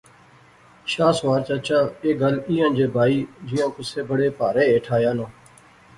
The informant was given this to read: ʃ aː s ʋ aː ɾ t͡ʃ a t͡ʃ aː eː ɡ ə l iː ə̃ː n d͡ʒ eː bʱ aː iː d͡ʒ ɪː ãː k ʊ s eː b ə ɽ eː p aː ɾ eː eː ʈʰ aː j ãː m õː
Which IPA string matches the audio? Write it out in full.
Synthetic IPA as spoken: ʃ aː s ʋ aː ɾ t͡ʃ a t͡ʃ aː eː ɡ ə l iː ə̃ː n d͡ʒ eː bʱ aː iː d͡ʒ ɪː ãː k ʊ s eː b ə ɽ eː p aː ɾ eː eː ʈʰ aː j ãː n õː

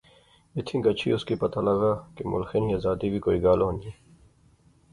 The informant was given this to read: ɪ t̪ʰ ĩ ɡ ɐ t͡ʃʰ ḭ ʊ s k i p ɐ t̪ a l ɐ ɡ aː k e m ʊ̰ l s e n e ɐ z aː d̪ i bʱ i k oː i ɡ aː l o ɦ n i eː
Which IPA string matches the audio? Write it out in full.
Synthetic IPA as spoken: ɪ t̪ʰ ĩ ɡ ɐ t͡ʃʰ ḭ ʊ s k i p ɐ t̪ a l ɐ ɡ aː k e m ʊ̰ l x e n i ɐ z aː d̪ i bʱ i k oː i ɡ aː l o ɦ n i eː

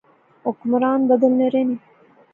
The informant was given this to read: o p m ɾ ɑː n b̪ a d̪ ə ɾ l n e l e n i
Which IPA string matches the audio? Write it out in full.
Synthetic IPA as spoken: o k m ɾ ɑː n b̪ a d̪ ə l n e ɾ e n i

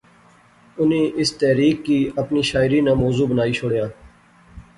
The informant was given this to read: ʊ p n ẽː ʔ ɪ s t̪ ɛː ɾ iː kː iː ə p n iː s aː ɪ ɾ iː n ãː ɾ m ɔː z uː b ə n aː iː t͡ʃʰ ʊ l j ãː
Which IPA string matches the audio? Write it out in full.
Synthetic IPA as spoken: ʊ n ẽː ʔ ɪ s t̪ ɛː ɾ iː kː iː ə p n iː ʃ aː ɪ ɾ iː n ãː m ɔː z uː b ə n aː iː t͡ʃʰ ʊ ɽ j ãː

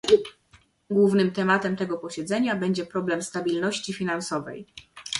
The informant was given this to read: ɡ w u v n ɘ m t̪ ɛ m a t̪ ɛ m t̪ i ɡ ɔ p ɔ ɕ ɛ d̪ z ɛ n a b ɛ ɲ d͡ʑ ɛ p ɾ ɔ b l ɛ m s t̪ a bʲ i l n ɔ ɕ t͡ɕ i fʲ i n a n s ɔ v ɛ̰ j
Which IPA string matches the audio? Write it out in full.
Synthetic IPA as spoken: ɡ w u v n ɘ m t̪ ɛ m a t̪ ɛ m t̪ ɛ ɡ ɔ p ɔ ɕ ɛ d̪ z ɛ ɲ a b ɛ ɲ d͡ʑ ɛ p ɾ ɔ b l ɛ m s t̪ a bʲ i l n ɔ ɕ t͡ɕ i fʲ i n a n s ɔ v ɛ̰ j

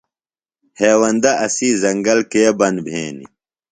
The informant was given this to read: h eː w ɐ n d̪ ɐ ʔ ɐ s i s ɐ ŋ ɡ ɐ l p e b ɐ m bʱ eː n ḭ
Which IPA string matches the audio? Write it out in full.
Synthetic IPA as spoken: h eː w ɐ n d̪ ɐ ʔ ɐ s i z ɐ ŋ ɡ ɐ l k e b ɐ n bʱ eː n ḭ

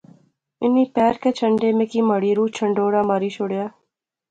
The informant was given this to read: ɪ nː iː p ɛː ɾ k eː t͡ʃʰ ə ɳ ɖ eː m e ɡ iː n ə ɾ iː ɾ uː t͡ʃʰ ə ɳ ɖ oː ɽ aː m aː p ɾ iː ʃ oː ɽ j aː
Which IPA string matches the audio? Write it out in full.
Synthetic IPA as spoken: ɪ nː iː p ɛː ɾ k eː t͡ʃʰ ə ɳ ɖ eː m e k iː m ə ɽ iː ɾ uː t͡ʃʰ ə ɳ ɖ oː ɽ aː m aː ɾ iː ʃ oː ɽ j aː

